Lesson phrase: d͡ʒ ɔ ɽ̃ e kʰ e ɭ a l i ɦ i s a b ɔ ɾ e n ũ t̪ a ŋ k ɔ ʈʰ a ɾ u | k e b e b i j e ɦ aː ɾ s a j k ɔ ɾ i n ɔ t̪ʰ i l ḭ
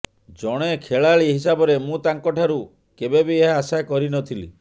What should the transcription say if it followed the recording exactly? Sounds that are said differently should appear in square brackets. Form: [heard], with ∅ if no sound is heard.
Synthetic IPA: d͡ʒ ɔ ɽ̃ e kʰ e ɭ a [ɭ] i ɦ i s a b ɔ ɾ e [m] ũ t̪ a ŋ k ɔ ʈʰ a ɾ u | k e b e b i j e ɦ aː [∅] s a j k ɔ ɾ i n ɔ t̪ʰ i l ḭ

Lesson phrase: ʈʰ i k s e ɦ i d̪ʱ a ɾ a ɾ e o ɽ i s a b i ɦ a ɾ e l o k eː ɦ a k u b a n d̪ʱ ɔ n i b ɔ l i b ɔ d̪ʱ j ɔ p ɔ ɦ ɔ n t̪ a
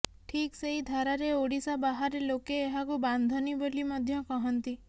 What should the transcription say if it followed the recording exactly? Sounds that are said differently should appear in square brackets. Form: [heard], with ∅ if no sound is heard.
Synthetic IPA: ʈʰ i k s e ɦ i d̪ʱ a ɾ a ɾ e o ɽ i s a b [a] ɦ a ɾ e l o k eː ɦ a k u b a n d̪ʱ ɔ n i b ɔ l i [m] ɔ d̪ʱ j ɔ [k] ɔ ɦ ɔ n t̪ [i]

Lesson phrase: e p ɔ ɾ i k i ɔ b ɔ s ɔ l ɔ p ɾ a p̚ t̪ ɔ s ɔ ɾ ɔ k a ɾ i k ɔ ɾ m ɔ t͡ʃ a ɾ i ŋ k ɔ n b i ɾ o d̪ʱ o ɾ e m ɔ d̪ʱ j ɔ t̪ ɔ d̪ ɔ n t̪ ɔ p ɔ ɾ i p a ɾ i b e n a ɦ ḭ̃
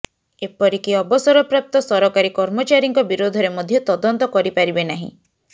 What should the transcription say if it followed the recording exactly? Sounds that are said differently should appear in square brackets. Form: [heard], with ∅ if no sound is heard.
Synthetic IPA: e p ɔ ɾ i k i ɔ b ɔ s ɔ [ɾ] ɔ p ɾ a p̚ t̪ ɔ s ɔ ɾ ɔ k a ɾ i k ɔ ɾ m ɔ t͡ʃ a ɾ i ŋ k ɔ [∅] b i ɾ o d̪ʱ [ɔ] ɾ e m ɔ d̪ʱ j ɔ t̪ ɔ d̪ ɔ n t̪ ɔ [k] ɔ ɾ i p a ɾ i b e n a ɦ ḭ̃

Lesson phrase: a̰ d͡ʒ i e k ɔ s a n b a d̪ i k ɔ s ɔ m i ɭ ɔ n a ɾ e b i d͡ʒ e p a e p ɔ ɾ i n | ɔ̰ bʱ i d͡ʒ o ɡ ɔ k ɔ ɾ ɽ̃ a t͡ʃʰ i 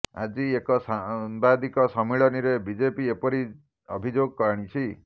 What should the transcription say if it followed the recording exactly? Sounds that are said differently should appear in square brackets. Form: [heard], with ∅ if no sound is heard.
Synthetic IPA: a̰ d͡ʒ i e k ɔ s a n b a d̪ i k ɔ s ɔ m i ɭ ɔ n [i] ɾ e b i d͡ʒ e p [i] e p ɔ ɾ i [∅] | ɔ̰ bʱ i d͡ʒ o ɡ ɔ k ɔ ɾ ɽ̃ [i] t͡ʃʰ i

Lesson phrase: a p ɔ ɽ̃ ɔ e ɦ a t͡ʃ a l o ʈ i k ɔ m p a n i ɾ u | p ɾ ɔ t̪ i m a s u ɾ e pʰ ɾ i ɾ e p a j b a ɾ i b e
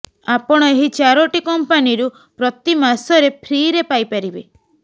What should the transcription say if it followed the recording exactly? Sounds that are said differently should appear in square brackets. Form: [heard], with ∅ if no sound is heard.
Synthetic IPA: a p ɔ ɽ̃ ɔ e ɦ [i] t͡ʃ a [ɾ] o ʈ i k ɔ m p a n i ɾ u | p ɾ ɔ t̪ i m a s [ɔ] ɾ e pʰ ɾ i ɾ e p a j [p] a ɾ i b e

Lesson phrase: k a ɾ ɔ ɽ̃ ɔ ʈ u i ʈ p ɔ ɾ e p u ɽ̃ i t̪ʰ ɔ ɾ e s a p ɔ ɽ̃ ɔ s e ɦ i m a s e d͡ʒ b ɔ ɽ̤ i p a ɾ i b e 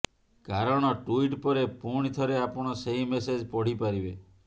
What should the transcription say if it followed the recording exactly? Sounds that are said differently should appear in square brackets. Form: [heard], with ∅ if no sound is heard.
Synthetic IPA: k a ɾ ɔ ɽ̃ ɔ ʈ u i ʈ p ɔ ɾ e p u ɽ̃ i t̪ʰ ɔ ɾ e [∅] a p ɔ ɽ̃ ɔ s e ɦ i m [e] s e d͡ʒ [p] ɔ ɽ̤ i p a ɾ i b e

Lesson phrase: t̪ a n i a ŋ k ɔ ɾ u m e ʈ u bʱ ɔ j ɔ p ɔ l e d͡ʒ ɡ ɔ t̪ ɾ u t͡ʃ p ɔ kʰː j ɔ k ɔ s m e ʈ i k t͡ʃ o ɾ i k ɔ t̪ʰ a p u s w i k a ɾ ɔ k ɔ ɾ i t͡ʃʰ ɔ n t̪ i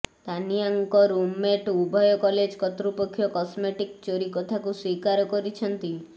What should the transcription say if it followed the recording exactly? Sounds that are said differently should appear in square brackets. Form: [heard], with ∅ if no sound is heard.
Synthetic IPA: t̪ a n i a ŋ k ɔ ɾ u m e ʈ u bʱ ɔ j ɔ [k] ɔ l e d͡ʒ [k] ɔ t̪ ɾ u [∅] p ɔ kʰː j ɔ k ɔ s m e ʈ i k t͡ʃ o ɾ i k ɔ t̪ʰ a [k] u s w i k a ɾ ɔ k ɔ ɾ i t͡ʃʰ ɔ n t̪ i

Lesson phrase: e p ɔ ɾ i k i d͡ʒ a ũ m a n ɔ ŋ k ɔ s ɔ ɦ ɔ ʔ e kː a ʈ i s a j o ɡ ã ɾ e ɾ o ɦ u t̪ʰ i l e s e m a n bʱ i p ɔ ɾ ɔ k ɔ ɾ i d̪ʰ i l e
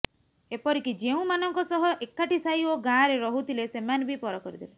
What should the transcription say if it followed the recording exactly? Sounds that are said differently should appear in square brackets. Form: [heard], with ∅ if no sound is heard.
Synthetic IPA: e p ɔ ɾ i k i d͡ʒ [e] ũ m a n ɔ ŋ k ɔ s ɔ ɦ ɔ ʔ e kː a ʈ i s a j o ɡ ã ɾ e ɾ [ɔ] ɦ u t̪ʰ i l e s e m a n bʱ i p ɔ ɾ ɔ k ɔ ɾ i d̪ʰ i l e

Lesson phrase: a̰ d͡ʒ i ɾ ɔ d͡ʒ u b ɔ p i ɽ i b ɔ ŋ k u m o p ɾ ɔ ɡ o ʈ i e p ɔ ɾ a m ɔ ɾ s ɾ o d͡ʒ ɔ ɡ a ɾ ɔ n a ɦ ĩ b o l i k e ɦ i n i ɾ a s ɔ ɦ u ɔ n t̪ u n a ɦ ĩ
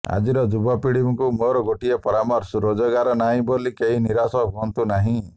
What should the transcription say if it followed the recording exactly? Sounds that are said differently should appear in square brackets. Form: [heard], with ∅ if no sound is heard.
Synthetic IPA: a̰ d͡ʒ i ɾ ɔ d͡ʒ u b ɔ p i ɽ i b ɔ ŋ k u m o [∅] ɾ ɔ ɡ o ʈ i e p ɔ ɾ a m ɔ ɾ s ɾ o d͡ʒ ɔ ɡ a ɾ ɔ n a ɦ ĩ b o l i k e ɦ i n i ɾ a s ɔ ɦ u ɔ n t̪ u n a ɦ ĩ

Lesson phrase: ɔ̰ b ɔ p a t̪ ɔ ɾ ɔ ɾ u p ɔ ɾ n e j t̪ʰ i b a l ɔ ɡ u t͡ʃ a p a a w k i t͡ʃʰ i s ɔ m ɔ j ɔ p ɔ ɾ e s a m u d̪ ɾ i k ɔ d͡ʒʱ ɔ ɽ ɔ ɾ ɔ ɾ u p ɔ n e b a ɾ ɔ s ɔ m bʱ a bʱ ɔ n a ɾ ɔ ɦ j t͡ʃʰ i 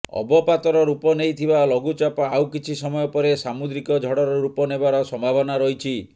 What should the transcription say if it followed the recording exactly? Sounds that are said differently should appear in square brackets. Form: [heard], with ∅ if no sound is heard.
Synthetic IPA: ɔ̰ b ɔ p a t̪ ɔ ɾ ɔ ɾ u p ɔ [∅] n e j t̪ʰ i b a l ɔ ɡ u t͡ʃ a p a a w k i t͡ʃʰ i s ɔ m ɔ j ɔ p ɔ ɾ e s a m u d̪ ɾ i k ɔ d͡ʒʱ ɔ ɽ ɔ ɾ ɔ ɾ u p ɔ n e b a ɾ ɔ s ɔ m bʱ a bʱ ɔ n a ɾ ɔ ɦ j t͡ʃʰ i

